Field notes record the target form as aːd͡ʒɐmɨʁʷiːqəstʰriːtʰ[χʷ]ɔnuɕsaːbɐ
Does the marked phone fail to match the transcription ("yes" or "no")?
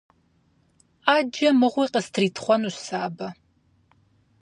no